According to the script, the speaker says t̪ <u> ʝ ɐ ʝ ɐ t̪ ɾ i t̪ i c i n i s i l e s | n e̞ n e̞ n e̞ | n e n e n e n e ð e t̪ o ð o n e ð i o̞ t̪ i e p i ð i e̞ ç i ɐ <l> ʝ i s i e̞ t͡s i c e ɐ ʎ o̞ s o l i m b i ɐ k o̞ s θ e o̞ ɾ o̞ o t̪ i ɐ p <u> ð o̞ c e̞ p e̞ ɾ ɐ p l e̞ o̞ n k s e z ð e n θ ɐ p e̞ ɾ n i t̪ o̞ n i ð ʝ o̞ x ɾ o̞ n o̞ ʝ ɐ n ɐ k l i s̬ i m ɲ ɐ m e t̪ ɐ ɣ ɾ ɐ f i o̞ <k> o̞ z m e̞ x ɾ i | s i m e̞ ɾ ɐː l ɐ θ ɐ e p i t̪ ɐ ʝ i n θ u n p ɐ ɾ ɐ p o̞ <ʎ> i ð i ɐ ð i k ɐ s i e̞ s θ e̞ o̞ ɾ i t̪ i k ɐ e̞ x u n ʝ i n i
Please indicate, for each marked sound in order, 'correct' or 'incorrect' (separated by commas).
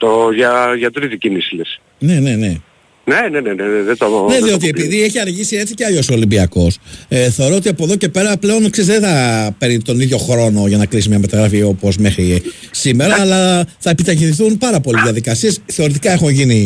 incorrect, incorrect, incorrect, incorrect, incorrect